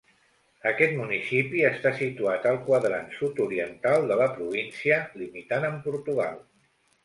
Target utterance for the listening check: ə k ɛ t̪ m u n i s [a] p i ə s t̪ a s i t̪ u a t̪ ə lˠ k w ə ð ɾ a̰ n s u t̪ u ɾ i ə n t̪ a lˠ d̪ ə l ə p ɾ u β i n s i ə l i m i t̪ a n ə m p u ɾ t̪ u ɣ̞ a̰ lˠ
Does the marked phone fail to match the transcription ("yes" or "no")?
yes